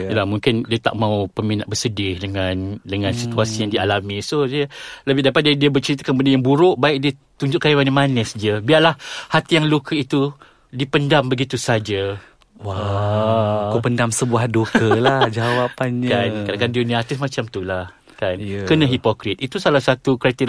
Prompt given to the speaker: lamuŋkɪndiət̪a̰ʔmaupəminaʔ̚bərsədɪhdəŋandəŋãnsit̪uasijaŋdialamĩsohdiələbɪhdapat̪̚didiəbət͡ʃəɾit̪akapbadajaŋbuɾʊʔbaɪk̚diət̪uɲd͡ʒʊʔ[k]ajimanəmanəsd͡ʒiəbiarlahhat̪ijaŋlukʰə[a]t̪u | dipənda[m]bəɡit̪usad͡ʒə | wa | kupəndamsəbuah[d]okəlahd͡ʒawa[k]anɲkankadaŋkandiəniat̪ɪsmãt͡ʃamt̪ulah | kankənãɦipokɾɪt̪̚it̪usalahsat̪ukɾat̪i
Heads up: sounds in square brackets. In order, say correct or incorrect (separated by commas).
correct, incorrect, correct, correct, incorrect